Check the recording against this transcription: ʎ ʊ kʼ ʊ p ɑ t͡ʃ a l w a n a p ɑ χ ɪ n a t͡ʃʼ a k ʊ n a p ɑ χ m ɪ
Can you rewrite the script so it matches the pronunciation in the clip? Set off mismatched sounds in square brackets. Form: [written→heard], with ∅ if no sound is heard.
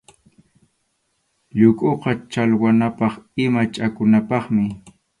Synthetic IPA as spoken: ʎ ʊ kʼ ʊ [p→q] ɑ t͡ʃ a l w a n a p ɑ χ ɪ [n→m] a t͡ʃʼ a k ʊ n a p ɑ χ m ɪ